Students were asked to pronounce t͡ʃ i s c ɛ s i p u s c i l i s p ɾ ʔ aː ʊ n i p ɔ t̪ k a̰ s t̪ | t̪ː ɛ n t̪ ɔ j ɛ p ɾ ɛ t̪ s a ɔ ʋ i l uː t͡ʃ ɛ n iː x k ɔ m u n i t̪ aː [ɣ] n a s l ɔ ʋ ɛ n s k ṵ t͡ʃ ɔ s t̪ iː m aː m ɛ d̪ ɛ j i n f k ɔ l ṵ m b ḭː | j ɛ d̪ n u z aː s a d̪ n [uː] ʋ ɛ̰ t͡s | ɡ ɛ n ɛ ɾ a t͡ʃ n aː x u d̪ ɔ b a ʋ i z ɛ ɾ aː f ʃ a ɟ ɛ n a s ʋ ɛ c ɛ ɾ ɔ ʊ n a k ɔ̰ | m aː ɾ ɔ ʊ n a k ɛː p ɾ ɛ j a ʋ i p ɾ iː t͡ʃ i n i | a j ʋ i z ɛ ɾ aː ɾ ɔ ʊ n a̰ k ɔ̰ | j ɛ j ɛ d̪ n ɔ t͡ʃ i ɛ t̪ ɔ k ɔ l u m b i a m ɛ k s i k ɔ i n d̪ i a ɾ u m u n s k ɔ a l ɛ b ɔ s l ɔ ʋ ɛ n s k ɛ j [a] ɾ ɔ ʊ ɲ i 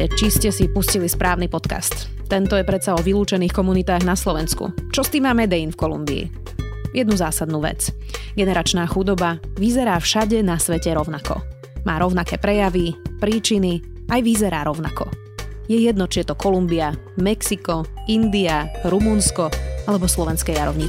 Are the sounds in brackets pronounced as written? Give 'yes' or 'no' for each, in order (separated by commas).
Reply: yes, yes, yes